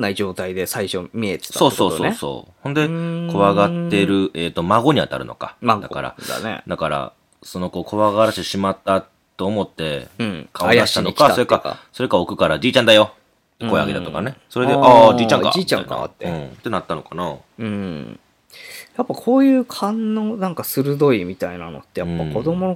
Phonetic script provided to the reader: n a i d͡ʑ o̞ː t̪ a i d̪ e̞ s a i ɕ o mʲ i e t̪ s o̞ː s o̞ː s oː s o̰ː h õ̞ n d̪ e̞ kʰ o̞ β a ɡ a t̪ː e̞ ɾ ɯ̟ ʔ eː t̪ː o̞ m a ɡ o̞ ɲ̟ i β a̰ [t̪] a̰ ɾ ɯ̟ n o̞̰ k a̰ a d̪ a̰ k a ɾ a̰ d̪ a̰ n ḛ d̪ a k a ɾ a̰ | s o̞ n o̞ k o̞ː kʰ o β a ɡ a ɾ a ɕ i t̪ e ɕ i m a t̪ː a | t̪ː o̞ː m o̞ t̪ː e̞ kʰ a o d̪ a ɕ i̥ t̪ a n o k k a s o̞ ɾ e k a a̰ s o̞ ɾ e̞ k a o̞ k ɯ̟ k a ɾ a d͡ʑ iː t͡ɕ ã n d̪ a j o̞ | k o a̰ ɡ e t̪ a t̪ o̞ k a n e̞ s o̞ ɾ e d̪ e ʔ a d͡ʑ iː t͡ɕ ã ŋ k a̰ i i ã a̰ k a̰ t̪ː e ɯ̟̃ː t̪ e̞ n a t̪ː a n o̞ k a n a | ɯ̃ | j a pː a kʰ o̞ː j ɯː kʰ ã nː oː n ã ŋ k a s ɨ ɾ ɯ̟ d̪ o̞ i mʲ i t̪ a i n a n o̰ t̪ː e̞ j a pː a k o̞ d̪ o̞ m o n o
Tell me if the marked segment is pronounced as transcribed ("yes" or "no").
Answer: yes